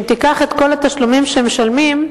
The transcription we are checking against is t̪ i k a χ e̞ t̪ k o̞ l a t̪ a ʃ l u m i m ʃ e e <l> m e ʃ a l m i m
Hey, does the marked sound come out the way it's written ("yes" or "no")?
no